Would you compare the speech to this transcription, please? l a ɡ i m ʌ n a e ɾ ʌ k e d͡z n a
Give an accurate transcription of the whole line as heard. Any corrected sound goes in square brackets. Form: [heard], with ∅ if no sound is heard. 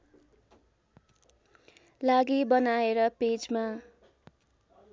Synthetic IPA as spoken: l a ɡ i [b] ʌ n a e ɾ ʌ [p] e d͡z [m] a